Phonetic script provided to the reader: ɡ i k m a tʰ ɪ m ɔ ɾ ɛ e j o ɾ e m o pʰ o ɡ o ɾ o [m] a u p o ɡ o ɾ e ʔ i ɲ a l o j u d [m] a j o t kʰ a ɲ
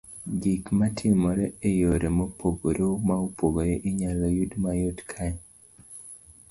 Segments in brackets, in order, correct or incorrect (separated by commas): correct, correct